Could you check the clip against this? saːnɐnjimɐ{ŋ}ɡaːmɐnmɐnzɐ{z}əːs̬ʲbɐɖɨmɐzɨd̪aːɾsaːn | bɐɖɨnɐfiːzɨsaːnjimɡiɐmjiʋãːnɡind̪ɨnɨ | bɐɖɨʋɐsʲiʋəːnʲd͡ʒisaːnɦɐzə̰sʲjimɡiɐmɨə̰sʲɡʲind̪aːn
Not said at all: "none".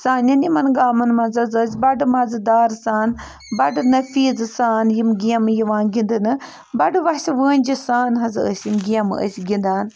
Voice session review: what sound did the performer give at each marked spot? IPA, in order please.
n, z

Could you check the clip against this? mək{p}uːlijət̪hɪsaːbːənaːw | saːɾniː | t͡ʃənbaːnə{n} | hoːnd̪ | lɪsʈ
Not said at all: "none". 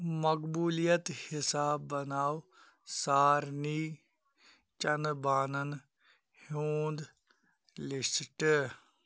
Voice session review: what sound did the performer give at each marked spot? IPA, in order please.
b, n

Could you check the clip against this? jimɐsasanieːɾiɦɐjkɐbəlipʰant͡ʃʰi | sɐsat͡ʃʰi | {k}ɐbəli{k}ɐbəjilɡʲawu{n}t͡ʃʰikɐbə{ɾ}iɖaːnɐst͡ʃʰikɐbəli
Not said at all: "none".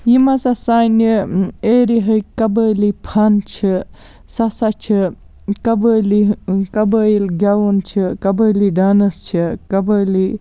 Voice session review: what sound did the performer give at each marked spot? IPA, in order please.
k, k, n, l

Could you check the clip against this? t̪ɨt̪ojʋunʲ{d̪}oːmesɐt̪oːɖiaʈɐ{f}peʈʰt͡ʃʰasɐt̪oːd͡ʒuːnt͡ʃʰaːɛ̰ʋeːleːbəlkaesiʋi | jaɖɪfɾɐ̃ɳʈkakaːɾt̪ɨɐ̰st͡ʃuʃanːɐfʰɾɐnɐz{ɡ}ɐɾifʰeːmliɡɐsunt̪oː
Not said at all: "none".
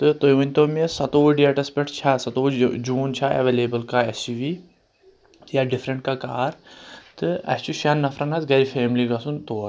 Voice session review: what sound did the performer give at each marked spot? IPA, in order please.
t̪, s, ɡ

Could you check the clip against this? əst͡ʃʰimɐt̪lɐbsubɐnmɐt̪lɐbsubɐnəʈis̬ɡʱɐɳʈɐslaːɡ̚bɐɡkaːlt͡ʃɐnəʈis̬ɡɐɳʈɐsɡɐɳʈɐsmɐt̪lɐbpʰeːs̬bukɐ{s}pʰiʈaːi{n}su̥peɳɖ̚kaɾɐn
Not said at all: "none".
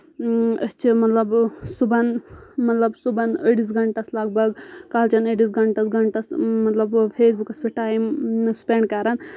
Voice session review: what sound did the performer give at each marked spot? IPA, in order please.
s, m

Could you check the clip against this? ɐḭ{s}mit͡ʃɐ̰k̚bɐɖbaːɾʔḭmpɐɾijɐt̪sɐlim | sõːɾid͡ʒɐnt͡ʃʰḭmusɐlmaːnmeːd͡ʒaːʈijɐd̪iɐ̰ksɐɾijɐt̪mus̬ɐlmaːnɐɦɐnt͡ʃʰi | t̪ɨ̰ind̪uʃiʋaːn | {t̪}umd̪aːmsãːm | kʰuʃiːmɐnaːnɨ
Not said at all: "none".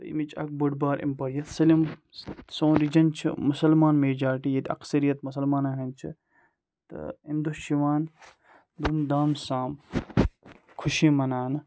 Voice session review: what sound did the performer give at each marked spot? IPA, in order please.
none, d̪

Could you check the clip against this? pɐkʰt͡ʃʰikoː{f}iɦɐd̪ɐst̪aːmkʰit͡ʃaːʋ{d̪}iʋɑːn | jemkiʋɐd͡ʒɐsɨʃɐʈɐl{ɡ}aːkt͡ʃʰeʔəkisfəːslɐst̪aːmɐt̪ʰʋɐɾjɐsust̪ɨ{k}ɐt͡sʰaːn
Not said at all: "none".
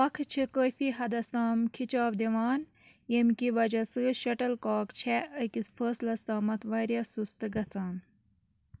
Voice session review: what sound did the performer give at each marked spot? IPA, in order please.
f, d̪, k, ɡ

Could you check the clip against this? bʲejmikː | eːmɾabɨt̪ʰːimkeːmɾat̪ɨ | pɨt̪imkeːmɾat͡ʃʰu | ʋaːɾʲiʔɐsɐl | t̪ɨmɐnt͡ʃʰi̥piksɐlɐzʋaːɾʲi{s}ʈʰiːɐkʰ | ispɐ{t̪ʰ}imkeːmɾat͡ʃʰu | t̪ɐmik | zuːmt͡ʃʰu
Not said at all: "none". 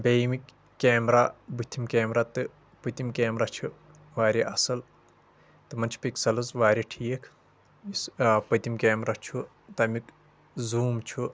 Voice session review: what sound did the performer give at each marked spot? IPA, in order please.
none, t̪

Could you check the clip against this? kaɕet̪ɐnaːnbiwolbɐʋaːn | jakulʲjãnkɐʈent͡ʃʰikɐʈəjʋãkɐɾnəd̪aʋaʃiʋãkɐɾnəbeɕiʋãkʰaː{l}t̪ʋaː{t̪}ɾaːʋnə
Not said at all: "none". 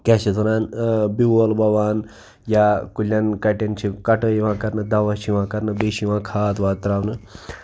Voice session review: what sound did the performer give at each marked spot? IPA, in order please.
none, t̪

